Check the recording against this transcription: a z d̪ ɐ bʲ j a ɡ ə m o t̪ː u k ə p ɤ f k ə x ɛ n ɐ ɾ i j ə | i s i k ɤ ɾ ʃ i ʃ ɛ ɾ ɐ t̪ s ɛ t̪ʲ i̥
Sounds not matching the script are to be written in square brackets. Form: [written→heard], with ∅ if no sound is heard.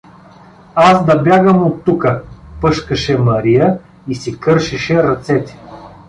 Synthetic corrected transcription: a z d̪ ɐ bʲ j a ɡ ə m o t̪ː u k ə p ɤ [f→ʃ] k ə [x→ʃ] ɛ [n→m] ɐ ɾ i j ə | i s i k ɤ ɾ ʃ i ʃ ɛ ɾ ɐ t̪ s ɛ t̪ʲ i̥